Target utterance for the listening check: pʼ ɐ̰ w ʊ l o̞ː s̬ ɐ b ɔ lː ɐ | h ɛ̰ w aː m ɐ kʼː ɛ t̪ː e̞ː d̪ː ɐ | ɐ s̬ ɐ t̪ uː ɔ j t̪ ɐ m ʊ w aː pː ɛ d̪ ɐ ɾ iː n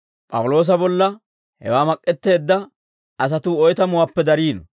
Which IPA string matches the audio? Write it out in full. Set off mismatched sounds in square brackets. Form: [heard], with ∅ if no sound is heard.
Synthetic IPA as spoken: pʼ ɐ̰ w ʊ l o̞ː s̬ ɐ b ɔ lː ɐ | h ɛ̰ w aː m ɐ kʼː ɛ t̪ː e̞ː d̪ː ɐ | ɐ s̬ ɐ t̪ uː ɔ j t̪ ɐ m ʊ w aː pː ɛ d̪ ɐ ɾ iː n